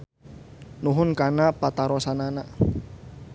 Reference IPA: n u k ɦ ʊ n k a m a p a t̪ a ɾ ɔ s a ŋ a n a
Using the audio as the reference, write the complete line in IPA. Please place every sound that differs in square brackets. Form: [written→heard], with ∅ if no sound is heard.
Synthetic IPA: n u [k→∅] ɦ ʊ n k a [m→n] a p a t̪ a ɾ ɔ s a [ŋ→n] a n a